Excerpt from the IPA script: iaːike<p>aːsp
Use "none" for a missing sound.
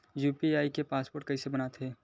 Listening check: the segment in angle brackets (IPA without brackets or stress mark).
p